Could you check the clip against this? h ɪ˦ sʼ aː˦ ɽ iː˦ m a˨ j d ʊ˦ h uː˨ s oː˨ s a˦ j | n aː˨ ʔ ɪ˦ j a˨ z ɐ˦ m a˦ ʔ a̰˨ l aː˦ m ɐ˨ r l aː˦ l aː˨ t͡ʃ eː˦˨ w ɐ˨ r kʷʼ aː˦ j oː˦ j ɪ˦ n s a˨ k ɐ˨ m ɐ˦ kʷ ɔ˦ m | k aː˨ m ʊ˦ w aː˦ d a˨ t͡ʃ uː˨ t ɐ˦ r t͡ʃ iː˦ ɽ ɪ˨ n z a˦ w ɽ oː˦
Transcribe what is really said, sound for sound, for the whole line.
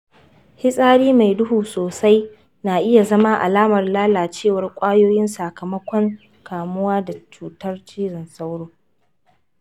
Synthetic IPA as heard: h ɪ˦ sʼ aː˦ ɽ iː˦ m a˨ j d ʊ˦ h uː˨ s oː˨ s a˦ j | n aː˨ ʔ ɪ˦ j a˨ z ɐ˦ m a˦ ʔ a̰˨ l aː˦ m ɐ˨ r l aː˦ l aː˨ t͡ʃ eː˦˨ w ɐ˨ r kʷʼ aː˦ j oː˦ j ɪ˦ n s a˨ k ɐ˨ m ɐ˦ kʷ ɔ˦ ŋ | k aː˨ m ʊ˦ w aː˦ d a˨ t͡ʃ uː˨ t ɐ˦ r t͡ʃ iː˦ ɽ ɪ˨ n s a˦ w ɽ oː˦